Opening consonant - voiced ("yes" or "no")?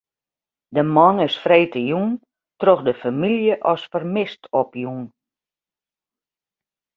yes